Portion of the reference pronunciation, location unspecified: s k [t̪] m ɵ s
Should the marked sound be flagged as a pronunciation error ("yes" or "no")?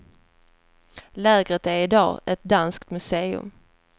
no